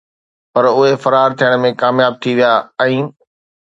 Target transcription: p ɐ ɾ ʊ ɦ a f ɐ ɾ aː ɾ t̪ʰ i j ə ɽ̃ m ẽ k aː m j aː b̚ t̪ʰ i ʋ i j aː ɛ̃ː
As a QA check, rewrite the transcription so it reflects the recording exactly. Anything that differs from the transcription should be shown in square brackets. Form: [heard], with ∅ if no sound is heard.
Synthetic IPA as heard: p ɐ ɾ ʊ ɦ [e] f ɐ ɾ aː ɾ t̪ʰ i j ə ɽ̃ m ẽ k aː m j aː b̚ t̪ʰ i ʋ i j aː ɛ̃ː